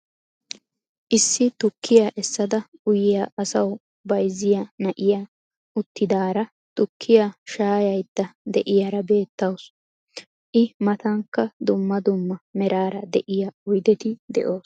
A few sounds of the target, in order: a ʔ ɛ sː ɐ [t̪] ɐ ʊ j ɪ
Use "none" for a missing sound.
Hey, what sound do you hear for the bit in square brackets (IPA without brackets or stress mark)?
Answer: d̪